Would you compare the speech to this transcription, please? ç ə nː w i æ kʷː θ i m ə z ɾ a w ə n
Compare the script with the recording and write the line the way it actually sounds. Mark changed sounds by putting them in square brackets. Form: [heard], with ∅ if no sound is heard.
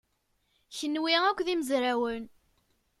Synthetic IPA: ç ə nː w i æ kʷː [ð] i m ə z ɾ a w ə n

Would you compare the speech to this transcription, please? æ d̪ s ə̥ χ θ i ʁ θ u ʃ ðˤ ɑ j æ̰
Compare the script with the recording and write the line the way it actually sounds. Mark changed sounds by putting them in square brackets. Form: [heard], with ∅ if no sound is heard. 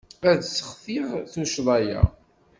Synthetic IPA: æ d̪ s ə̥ χ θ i ʁ θ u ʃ ðˤ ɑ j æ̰

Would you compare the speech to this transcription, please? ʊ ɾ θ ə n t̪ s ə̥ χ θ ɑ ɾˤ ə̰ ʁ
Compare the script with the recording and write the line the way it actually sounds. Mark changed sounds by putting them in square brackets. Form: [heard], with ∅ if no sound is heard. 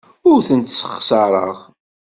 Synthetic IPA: ʊ ɾ θ ə n t̪ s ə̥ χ [s] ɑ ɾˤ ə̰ ʁ

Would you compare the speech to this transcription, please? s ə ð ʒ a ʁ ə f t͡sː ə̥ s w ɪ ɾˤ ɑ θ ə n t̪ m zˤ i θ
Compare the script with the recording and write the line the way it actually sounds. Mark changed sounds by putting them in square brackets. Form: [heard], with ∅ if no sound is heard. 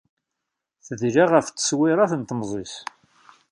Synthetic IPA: [θ] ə ð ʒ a ʁ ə f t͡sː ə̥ s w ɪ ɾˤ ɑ θ ə n t̪ m zˤ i [s]

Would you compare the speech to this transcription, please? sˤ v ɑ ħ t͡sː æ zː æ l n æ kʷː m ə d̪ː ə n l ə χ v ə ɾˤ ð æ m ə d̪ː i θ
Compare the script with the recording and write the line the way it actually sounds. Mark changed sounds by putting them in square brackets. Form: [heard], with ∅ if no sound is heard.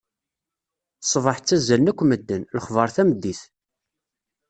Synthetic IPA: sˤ v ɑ ħ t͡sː æ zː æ l n æ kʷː m ə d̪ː ə n l ə χ v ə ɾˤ [θ] æ m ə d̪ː i θ

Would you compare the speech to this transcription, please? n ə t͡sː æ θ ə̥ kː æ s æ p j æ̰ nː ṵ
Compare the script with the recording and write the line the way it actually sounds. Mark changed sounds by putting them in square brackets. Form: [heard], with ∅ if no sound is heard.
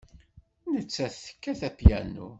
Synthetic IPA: n ə t͡sː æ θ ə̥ kː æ [θ] æ p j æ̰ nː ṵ

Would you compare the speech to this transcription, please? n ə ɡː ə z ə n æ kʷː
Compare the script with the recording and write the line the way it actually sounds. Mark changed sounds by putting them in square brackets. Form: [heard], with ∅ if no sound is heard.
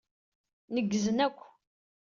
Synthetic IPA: n ə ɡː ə z ə n æ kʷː

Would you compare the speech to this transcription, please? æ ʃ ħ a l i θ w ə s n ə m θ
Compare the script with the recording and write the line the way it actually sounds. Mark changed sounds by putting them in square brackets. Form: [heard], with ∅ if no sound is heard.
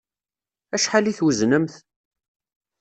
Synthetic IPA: æ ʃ ħ a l i θ w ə [z] n ə m θ

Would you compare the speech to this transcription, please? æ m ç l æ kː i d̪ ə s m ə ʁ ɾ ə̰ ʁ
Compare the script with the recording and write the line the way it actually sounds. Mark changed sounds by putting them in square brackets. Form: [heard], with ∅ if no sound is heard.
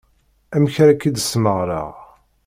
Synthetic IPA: æ m ç [ɾ] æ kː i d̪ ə s m ə ʁ ɾ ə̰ ʁ

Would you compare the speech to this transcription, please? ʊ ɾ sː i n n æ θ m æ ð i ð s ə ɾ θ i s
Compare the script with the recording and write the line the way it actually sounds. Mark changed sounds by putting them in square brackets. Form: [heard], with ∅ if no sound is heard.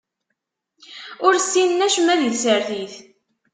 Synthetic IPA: ʊ ɾ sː i n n æ [ʃ] m æ ð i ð s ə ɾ θ i [θ]

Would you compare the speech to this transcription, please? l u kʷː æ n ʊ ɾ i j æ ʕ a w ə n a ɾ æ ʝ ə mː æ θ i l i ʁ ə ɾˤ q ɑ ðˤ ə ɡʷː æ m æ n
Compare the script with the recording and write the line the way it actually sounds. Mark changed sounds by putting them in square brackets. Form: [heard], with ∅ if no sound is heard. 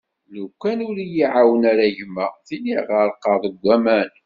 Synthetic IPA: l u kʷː æ n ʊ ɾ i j [i] ʕ a w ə n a ɾ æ ʝ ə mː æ θ i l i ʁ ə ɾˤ q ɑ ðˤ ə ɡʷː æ m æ n

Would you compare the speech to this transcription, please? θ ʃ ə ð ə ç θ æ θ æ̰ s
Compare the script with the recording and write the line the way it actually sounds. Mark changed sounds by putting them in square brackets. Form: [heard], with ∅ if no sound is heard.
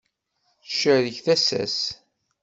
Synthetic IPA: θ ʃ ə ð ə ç θ æ [s] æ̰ s

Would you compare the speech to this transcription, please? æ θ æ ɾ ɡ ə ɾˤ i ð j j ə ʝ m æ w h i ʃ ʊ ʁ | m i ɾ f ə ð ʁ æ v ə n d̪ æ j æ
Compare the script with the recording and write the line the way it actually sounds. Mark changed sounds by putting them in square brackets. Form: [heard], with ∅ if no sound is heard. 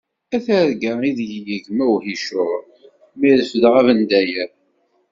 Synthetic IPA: æ θ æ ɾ ɡ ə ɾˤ i ð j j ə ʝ m æ w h i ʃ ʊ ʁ | m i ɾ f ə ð ʁ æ v ə n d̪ æ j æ

